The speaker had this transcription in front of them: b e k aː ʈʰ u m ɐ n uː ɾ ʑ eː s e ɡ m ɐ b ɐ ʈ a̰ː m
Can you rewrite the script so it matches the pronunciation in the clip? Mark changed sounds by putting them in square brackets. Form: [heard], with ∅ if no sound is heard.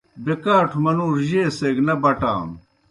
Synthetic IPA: b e k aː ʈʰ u m ɐ n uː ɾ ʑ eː s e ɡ [n] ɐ b ɐ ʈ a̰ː m